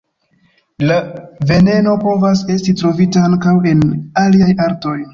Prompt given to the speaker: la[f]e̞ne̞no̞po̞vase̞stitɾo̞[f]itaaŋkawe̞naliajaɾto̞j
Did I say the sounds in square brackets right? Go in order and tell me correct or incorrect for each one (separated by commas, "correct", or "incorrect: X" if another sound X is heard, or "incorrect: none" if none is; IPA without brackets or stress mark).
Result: incorrect: v, incorrect: v